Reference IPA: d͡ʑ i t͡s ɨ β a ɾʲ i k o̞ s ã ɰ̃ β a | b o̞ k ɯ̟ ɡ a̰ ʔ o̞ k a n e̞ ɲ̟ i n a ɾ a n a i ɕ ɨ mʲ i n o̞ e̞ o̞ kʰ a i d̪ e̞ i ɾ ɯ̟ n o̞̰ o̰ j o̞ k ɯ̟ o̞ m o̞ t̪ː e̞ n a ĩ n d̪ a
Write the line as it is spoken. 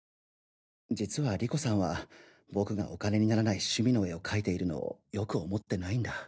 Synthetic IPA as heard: d͡ʑ i t͡s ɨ β a ɾʲ i k o̞ s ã ɰ̃ β a | b o̞ k ɯ̟ ɡ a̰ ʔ o̞ k a n e̞ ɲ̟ i n a ɾ a n a i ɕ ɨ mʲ i n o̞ e̞ o̞ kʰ a i t̪ e̞ i ɾ ɯ̟ n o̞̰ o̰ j o̞ k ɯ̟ o̞ m o̞ t̪ː e̞ n a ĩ n d̪ a